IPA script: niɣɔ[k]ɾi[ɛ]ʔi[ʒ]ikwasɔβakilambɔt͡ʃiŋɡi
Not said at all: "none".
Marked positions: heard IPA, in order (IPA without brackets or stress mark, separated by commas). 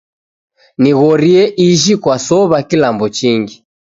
none, ɛ, ʒ